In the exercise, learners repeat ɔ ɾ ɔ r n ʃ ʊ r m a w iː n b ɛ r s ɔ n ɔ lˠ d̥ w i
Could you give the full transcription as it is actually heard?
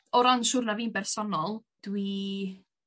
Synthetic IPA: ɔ ɾ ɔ n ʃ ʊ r n a v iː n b ɛ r s ɔ n ɔ lˠ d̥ w i